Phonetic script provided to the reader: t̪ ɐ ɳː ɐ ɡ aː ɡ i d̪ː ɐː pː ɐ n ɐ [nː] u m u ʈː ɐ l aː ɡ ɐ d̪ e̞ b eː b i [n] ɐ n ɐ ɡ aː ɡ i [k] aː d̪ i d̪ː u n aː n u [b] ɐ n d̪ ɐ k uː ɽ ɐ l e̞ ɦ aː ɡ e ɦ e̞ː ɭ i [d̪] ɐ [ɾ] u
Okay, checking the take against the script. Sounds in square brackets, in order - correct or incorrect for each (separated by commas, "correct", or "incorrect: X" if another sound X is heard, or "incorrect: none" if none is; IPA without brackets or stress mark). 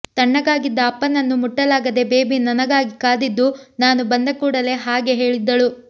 correct, correct, correct, correct, incorrect: d̪ː, incorrect: ɭ